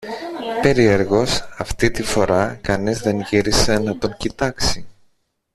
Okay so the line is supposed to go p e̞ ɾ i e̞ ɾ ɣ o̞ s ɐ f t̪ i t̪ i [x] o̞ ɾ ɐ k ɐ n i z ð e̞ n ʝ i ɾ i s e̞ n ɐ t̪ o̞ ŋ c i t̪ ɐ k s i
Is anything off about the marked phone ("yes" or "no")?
yes